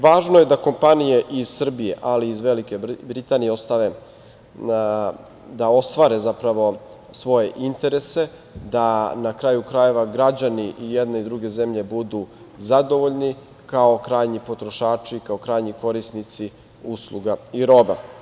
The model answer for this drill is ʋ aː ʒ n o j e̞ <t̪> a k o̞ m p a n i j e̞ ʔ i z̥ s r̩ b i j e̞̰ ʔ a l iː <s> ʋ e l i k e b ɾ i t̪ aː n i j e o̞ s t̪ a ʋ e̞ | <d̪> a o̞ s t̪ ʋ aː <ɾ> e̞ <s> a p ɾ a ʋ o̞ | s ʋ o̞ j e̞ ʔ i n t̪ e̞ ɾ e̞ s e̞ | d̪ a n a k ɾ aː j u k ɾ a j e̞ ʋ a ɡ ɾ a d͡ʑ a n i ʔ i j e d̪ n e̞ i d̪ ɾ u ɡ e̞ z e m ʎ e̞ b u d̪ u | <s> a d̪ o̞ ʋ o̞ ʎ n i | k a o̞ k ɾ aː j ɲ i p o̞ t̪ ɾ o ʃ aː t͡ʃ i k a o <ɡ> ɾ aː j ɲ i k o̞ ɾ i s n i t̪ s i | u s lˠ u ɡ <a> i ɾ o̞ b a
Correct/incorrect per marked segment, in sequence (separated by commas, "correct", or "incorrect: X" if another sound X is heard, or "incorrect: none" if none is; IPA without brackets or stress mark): incorrect: d̪, incorrect: z, correct, correct, incorrect: z, incorrect: z, incorrect: k, correct